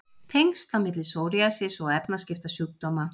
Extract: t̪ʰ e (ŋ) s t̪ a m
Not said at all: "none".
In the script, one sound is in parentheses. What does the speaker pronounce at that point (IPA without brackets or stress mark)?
ŋ